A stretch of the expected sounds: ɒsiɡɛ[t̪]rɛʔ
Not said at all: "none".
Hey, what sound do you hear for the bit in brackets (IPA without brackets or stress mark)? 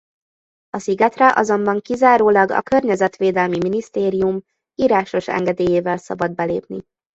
t̪